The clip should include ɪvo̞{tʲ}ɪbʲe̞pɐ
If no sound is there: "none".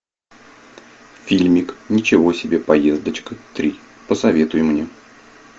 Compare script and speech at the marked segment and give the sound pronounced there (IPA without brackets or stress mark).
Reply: sʲ